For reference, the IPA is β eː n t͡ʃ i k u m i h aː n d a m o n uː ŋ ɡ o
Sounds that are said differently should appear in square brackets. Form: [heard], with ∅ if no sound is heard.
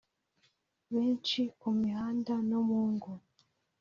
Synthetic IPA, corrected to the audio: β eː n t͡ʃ i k u m i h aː n d a [n] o [m] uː ŋ ɡ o